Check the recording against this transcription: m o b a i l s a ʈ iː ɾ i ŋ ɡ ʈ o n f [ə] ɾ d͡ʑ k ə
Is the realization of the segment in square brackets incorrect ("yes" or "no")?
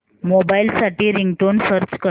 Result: no